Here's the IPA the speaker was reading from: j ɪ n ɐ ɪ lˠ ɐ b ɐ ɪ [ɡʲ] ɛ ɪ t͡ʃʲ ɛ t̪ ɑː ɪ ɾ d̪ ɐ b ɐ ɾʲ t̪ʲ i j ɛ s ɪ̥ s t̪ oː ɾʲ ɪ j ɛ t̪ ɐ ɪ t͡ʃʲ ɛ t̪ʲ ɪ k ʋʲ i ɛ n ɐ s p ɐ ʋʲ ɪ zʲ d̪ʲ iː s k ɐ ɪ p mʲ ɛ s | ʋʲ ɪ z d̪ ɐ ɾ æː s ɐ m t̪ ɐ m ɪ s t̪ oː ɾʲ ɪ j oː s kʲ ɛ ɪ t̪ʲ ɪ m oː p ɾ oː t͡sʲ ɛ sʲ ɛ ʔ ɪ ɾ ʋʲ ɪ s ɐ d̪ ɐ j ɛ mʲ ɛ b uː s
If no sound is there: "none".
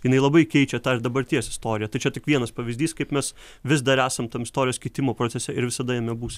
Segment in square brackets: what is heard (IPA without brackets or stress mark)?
kʲ